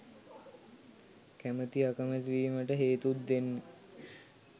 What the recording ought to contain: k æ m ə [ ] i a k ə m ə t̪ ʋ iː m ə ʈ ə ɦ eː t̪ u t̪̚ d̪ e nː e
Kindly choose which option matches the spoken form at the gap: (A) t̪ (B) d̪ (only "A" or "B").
A